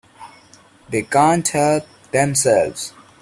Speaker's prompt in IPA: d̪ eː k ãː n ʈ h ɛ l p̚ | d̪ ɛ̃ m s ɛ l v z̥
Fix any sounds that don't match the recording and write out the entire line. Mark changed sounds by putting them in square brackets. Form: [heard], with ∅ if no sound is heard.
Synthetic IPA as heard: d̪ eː k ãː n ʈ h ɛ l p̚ | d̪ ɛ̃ m s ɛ l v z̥